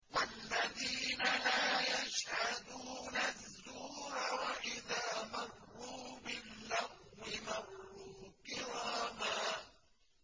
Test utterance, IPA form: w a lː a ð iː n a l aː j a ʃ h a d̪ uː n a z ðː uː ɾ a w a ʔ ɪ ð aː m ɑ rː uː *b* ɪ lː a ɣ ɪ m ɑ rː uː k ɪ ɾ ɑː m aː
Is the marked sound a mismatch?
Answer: no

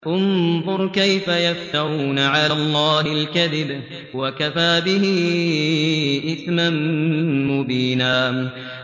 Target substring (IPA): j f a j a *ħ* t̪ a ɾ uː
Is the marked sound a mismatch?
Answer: yes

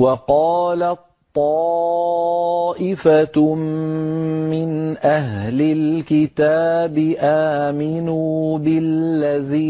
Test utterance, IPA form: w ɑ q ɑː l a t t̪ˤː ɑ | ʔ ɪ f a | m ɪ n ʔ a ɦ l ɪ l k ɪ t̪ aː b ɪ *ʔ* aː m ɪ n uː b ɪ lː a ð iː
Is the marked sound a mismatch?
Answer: no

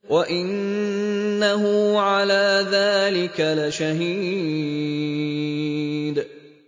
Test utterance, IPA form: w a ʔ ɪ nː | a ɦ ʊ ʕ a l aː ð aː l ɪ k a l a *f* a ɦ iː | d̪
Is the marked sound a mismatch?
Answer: yes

